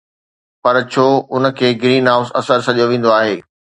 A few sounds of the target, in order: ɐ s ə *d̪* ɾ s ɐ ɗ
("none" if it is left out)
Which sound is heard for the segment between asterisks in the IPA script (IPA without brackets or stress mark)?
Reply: none